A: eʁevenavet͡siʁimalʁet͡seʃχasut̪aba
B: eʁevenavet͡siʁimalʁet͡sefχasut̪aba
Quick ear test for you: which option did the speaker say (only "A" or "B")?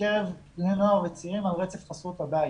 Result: B